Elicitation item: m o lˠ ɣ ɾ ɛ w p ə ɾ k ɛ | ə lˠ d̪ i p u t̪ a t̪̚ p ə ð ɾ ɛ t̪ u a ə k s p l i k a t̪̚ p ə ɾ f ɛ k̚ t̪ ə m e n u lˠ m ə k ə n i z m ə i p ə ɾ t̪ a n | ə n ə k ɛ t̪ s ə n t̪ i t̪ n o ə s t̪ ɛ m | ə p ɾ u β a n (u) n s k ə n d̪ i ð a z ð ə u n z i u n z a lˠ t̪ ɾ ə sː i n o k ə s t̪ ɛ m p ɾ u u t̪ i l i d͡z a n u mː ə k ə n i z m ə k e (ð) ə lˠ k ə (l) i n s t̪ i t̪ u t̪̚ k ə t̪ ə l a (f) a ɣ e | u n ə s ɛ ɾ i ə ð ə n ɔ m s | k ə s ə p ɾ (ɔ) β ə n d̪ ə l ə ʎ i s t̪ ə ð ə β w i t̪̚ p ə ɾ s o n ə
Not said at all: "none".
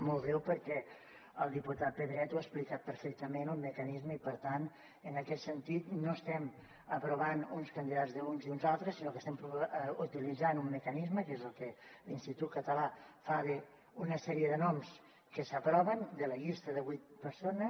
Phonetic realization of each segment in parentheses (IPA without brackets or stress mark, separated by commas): u, z, l, f, ɔ